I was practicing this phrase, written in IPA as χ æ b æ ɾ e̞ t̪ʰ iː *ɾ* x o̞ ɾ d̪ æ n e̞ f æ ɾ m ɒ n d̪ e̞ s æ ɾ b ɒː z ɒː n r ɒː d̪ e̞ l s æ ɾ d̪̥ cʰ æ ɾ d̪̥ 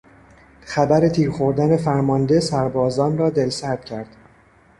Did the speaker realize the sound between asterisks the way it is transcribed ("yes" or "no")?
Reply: yes